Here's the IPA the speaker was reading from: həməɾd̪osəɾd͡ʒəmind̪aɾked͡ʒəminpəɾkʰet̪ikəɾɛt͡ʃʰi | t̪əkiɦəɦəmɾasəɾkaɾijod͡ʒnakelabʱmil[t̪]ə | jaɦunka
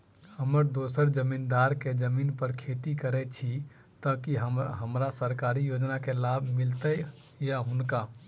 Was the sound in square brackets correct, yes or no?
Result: yes